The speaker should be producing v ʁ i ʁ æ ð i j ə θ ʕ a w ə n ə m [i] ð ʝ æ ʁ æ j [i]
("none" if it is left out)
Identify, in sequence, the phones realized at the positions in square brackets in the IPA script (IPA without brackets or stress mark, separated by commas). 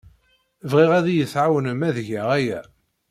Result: æ, æ